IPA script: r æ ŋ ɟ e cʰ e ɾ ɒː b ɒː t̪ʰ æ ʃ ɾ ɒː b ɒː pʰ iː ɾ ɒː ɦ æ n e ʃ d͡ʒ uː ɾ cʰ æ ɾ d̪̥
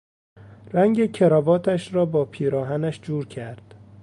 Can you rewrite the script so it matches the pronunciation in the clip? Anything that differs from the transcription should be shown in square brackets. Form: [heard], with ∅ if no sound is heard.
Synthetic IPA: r æ ŋ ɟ e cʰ e ɾ ɒː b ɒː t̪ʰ æ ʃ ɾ ɒː b ɒː pʰ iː ɾ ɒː ɦ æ n [æ] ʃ d͡ʒ uː ɾ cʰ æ ɾ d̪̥